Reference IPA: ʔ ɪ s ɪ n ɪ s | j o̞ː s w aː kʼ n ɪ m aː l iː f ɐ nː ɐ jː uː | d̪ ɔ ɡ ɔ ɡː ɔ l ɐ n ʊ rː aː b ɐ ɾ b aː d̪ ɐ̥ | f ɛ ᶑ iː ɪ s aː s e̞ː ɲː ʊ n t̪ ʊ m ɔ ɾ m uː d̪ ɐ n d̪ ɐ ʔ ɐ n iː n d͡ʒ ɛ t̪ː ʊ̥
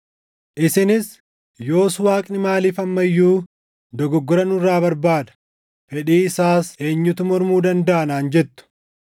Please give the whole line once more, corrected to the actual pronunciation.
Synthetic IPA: ʔ ɪ s ɪ n ɪ s | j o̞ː s w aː kʼ n ɪ m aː l iː f ɐ mː ɐ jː uː | d̪ ɔ ɡ ɔ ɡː ɔ ɾ ɐ n ʊ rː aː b ɐ ɾ b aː d̪ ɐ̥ | f ɛ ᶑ iː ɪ s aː s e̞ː ɲː ʊ t̪ ʊ m ɔ ɾ m uː d̪ ɐ n d̪ ɐ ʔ ɐ n aː n d͡ʒ ɛ t̪ː ʊ̥